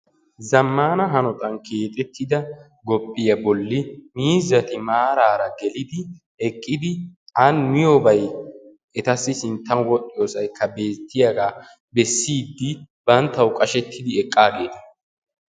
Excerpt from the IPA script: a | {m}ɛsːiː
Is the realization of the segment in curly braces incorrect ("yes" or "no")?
yes